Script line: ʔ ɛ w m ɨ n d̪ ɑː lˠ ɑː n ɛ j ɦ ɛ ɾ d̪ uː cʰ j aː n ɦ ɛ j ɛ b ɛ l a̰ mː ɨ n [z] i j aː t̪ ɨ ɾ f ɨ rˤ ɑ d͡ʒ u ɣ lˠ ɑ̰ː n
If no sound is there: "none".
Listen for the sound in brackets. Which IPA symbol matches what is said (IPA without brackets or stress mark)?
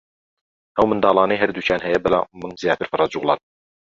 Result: z